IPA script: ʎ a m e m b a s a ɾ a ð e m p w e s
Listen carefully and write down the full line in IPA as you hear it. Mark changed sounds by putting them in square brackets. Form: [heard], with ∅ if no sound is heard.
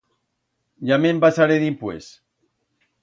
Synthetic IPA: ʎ a m e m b a s a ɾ [e] ð [i] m p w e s

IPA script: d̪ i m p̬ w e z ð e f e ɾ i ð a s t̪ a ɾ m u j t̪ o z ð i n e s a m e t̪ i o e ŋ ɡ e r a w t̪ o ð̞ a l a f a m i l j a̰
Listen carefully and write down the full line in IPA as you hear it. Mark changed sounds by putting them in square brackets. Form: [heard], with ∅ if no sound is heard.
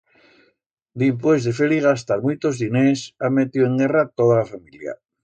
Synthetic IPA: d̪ i m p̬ w e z ð e f e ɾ i [ɣ] a s t̪ a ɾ m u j t̪ o z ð i n e s a m e t̪ i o e ŋ ɡ e r a [∅] t̪ o ð̞ a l a f a m i l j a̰

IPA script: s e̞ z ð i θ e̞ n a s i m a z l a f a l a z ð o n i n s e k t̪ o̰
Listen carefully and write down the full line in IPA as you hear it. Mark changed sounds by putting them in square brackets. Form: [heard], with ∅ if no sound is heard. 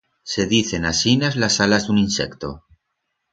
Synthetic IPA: s e̞ [∅] ð i θ e̞ n a s i [n] a z l a [s] a l a z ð [u] n i n s e k t̪ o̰

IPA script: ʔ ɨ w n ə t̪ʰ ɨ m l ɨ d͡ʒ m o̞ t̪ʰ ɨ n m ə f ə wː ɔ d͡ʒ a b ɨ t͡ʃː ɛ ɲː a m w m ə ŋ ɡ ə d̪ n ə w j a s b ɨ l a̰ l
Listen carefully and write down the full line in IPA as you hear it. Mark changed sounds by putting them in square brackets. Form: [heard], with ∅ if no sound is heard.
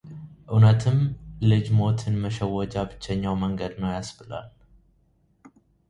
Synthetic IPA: ʔ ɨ w n ə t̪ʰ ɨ m l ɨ d͡ʒ m o̞ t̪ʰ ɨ n m ə [ʃ] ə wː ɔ d͡ʒ a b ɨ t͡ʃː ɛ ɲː a [∅] w m ə ŋ ɡ ə d̪ n ə w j a s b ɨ l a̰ l

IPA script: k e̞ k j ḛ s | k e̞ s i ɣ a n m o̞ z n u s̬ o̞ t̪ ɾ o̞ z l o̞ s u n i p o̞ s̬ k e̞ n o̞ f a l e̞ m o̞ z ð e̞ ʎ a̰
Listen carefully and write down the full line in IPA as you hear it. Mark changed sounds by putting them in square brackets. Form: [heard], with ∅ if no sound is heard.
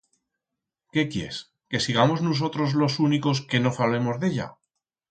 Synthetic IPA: k e̞ k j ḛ s | k e̞ s i ɣ a [∅] m o̞ z n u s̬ o̞ t̪ ɾ o̞ z l o̞ s u n i [k] o̞ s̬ k e̞ n o̞ f a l e̞ m o̞ z ð e̞ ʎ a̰

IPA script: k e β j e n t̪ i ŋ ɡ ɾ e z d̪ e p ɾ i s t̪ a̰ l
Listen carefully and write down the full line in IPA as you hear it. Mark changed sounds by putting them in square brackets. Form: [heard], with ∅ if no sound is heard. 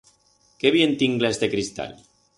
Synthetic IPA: k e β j e n t̪ i ŋ ɡ [l] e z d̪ e [k] ɾ i s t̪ a̰ l

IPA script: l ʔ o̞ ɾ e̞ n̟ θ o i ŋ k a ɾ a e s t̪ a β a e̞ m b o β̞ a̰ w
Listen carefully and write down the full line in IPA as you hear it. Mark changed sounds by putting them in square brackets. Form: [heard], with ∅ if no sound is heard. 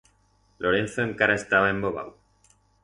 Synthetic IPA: l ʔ o̞ ɾ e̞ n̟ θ o [e] ŋ k a ɾ a e s t̪ a β a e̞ m b o β̞ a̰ w

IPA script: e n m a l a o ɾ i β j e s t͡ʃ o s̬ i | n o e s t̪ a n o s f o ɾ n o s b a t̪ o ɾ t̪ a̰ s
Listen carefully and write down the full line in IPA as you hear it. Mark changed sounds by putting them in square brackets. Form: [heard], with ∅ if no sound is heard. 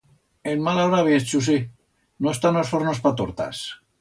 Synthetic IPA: e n m a l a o ɾ [a] β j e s t͡ʃ [u] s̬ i | n o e s t̪ a n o s f o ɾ n o s [p] a t̪ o ɾ t̪ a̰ s

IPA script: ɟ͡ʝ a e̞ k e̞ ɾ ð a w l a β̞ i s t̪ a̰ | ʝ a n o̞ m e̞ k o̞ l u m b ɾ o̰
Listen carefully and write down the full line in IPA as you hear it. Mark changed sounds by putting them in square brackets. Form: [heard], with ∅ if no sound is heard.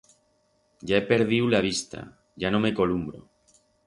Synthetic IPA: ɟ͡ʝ a e̞ [p] e̞ ɾ ð [i] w l a β̞ i s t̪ a̰ | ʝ a n o̞ m e̞ k o̞ l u m b ɾ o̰

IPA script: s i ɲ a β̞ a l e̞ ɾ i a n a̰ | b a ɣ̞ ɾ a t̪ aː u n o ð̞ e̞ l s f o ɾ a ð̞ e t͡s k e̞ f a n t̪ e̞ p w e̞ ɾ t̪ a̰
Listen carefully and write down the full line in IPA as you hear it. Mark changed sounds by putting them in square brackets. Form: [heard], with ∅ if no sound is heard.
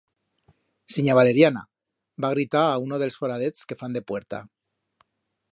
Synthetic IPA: s i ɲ a β̞ a l e̞ ɾ [j] a n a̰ | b a ɣ̞ ɾ [i] t̪ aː u n o ð̞ e̞ l s f o ɾ a ð̞ e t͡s k e̞ f a n [d̪] e̞ p w e̞ ɾ t̪ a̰

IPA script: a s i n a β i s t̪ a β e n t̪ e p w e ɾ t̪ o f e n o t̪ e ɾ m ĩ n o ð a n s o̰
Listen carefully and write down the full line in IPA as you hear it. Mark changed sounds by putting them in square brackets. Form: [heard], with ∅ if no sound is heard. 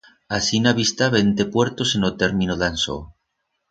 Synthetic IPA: a s i n a β i s t̪ a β e n t̪ e p w e ɾ t̪ o [s] e n o t̪ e ɾ m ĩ n o ð a n s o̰

